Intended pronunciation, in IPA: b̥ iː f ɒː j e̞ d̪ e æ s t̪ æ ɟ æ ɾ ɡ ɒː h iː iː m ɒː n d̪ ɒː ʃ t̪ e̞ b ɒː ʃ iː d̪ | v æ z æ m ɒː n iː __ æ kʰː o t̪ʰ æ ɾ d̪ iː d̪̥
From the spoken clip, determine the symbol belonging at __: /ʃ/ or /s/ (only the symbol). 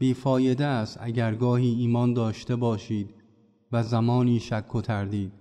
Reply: ʃ